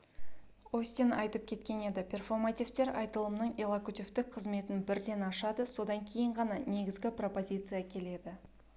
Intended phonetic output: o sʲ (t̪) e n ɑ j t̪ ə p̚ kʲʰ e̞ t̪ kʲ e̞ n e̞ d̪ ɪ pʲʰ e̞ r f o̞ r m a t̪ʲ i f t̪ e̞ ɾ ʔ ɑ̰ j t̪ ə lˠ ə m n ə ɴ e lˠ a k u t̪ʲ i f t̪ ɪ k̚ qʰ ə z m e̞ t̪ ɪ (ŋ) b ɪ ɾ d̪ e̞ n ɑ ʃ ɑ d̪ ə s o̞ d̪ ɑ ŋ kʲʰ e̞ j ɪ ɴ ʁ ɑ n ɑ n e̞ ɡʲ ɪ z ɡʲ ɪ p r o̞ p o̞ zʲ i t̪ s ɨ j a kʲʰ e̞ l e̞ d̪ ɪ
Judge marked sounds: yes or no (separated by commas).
yes, no